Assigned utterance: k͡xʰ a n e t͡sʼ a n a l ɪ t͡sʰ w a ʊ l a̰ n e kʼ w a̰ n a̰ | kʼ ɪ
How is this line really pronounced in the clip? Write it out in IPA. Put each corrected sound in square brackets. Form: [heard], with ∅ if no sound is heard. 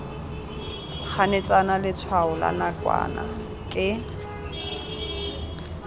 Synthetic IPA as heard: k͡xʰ a n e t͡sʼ a n a l ɪ t͡sʰ w a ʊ l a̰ n [a] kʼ w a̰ n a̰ | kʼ ɪ